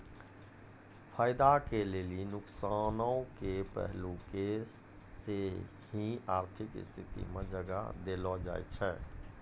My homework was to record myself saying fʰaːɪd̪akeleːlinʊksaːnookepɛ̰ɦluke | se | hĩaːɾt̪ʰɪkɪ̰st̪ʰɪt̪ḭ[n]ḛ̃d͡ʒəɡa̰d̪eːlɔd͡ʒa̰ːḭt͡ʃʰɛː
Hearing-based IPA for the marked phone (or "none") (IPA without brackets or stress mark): m